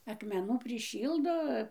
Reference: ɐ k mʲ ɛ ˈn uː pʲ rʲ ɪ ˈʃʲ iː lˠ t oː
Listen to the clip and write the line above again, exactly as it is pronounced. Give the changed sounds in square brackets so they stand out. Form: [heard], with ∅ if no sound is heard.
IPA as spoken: ɐ k mʲ ɛ ˈn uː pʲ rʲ ɪ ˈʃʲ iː lˠ [d] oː